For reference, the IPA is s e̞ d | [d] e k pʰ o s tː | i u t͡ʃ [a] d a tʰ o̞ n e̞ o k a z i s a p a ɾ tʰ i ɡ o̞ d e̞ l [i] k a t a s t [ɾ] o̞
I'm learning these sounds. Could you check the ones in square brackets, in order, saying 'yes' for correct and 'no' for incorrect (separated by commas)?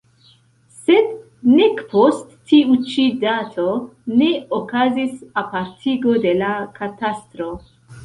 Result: no, no, no, yes